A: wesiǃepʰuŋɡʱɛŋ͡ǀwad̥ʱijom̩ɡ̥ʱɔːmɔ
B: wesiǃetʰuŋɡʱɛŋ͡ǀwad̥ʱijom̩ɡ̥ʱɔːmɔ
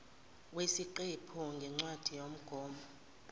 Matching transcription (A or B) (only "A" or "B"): A